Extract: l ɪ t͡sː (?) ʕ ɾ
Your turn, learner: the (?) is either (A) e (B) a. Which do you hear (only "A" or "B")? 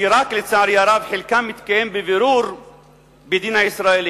B